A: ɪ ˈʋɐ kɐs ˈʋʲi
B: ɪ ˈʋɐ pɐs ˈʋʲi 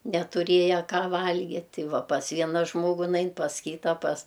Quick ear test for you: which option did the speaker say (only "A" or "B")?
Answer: B